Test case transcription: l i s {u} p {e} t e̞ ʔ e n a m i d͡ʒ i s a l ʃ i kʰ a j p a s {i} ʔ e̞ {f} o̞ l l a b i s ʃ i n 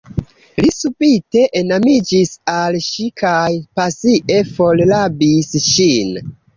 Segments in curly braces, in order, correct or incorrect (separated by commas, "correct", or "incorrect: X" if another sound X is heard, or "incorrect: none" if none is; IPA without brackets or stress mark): correct, incorrect: i, correct, correct